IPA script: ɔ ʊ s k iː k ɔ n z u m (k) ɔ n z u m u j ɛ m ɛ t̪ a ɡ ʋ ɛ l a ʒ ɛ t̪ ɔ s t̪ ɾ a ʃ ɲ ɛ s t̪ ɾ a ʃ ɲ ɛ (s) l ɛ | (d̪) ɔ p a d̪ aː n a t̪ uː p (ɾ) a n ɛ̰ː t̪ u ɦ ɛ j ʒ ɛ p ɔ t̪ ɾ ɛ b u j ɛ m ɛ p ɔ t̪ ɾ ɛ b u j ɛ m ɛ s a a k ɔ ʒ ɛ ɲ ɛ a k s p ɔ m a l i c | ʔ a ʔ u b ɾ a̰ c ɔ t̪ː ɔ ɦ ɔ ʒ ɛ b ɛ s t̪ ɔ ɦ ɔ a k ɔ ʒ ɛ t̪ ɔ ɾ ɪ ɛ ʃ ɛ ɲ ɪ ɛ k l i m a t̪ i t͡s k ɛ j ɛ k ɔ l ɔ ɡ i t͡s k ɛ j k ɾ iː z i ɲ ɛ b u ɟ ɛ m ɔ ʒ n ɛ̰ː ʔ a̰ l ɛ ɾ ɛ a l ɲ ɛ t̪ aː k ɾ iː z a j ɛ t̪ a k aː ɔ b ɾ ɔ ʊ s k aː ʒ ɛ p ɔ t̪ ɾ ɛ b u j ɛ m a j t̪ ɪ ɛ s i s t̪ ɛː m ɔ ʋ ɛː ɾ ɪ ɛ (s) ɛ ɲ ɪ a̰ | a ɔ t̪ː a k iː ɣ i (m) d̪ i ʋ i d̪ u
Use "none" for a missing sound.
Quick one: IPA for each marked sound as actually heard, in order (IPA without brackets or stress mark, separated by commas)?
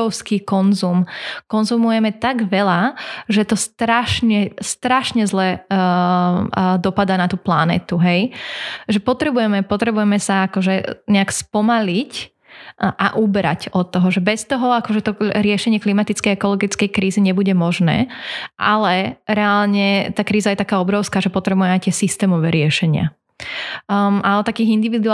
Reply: k, z, d̪, l, ʃ, n